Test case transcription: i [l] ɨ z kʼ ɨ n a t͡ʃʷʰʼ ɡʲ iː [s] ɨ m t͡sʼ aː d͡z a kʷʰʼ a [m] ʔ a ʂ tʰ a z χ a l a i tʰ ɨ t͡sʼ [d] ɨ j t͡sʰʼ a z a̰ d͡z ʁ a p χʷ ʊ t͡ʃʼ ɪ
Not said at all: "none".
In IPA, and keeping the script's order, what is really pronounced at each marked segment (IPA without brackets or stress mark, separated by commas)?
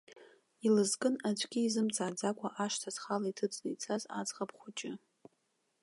l, z, none, n